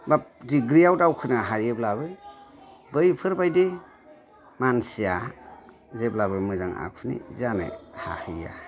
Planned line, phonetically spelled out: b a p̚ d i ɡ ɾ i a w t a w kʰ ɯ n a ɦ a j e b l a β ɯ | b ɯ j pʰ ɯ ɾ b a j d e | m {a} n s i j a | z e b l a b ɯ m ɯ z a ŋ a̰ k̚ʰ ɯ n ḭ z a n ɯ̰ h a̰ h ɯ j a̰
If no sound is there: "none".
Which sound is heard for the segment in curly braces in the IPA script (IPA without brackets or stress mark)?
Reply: a